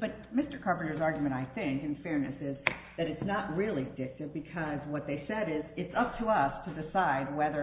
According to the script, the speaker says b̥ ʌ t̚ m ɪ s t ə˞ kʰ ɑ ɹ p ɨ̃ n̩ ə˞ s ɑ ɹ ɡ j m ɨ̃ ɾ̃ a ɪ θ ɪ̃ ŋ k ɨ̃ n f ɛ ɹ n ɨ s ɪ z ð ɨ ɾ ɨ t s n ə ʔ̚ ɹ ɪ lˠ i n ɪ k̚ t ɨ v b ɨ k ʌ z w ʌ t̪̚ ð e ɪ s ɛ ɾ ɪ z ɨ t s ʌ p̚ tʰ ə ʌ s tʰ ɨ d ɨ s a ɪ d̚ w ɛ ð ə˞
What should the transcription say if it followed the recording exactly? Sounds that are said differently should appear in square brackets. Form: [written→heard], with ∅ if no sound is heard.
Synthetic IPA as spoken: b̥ ʌ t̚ m ɪ s t ə˞ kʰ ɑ ɹ p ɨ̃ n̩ ə˞ [s→z] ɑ ɹ ɡ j m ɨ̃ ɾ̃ a ɪ θ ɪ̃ ŋ k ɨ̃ n f ɛ ɹ n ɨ s ɪ z ð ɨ ɾ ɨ t s n ə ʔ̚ ɹ ɪ lˠ i [n→d] ɪ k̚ t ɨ v b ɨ [k→kʰ] ʌ z w ʌ t̪̚ ð e ɪ s ɛ ɾ ɪ z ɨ t s ʌ p̚ tʰ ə ʌ s tʰ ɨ d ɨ s a ɪ d̚ w ɛ ð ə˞